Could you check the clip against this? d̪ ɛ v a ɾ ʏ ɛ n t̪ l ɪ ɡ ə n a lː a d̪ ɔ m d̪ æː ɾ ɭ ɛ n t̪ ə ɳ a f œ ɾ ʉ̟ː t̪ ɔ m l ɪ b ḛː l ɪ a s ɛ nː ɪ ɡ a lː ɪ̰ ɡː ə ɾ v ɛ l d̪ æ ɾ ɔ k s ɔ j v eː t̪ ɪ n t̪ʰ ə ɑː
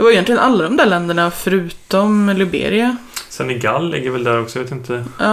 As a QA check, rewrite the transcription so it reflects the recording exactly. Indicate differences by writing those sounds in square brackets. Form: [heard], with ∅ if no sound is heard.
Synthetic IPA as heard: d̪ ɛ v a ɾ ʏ ɛ n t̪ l ɪ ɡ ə n a lː a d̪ ɔ m d̪ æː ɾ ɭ ɛ n [d̪] ə ɳ a f œ ɾ ʉ̟ː t̪ ɔ m l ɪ b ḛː [ɾ] ɪ a s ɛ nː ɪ ɡ a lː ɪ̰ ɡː ə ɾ v ɛ l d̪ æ ɾ ɔ k s ɔ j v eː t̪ ɪ n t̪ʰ ə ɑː